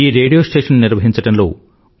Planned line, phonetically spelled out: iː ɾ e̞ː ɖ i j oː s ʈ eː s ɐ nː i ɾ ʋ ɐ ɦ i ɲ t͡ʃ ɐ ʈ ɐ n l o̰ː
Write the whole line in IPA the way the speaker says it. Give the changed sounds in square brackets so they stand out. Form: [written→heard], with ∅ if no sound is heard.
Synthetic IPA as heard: iː ɾ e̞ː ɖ i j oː s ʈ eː [s→ʂ] ɐ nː i ɾ ʋ ɐ ɦ i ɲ t͡ʃ ɐ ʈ ɐ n l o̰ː